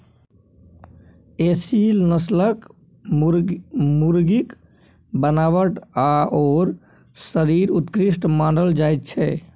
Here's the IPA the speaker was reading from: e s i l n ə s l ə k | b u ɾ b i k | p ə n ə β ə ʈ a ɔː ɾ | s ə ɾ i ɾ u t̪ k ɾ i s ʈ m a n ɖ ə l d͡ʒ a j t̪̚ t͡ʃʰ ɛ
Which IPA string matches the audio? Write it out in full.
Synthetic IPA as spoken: e s i l n ə s l ə k | m u ɾ ɡ i k | b ə n a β ə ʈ a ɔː ɾ | s ə ɾ i ɾ u t̪ k ɾ i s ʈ m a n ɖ ə l d͡ʒ a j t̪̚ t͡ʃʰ ɛ

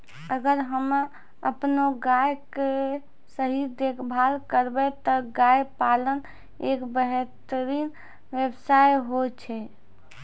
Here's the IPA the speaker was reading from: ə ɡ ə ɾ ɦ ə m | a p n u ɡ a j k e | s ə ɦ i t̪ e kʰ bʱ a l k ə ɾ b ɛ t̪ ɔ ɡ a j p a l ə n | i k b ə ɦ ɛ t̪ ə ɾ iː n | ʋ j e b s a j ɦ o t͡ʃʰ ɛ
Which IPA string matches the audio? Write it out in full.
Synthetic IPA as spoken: ə ɡ ə ɾ ɦ ə m | ə p n o ɡ a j k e | s ə ɦ i d̪ e kʰ bʱ a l k ə ɾ b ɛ t̪ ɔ ɡ a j p a l ə n | e k b ə ɦ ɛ t̪ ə ɾ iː n | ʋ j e b s a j ɦ o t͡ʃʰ ɛ

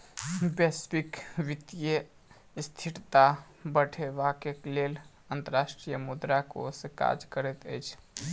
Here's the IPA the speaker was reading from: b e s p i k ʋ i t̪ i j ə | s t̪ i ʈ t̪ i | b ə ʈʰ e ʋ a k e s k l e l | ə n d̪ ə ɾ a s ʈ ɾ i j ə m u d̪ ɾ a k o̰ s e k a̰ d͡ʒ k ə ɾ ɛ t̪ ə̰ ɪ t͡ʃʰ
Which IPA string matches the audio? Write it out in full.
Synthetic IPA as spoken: b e s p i k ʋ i t̪ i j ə | s t̪ʰ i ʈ t̪ a | b ə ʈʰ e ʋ a k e k l e l | ə n t̪ ə ɾ a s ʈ ɾ i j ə m u d̪ ɾ a k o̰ s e k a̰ d͡ʒ k ə ɾ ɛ t̪ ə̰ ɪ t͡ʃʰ

